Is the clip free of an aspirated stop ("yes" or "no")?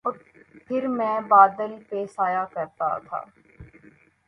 no